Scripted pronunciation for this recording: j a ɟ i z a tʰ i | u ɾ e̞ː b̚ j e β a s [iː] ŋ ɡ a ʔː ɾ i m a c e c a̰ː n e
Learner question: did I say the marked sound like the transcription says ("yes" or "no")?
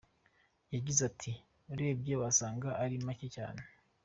no